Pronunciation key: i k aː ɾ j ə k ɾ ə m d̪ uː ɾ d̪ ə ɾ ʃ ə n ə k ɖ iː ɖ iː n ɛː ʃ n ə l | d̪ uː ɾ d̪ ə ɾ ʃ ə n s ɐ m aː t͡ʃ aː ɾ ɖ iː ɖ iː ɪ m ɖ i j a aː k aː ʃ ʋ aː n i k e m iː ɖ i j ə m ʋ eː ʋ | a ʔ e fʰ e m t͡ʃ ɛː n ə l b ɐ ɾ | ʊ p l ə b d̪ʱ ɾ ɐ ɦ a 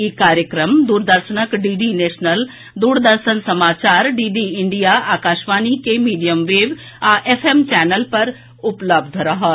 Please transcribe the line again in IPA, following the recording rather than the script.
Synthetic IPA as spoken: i k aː ɾ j ə k ɾ ə m d̪ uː ɾ d̪ ə ɾ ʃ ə n ə k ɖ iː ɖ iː n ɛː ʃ n ə l | d̪ uː ɾ d̪ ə ɾ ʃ ə n s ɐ m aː t͡ʃ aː ɾ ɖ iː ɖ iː ɪ ɳ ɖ i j a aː k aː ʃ ʋ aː n i k e m iː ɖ i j ə m ʋ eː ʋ | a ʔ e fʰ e m t͡ʃ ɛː n ə l p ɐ ɾ | ʊ p l ə b d̪ʱ ɾ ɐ ɦ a